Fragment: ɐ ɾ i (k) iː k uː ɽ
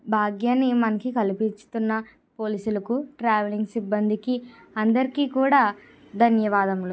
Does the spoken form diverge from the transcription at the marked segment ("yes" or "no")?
no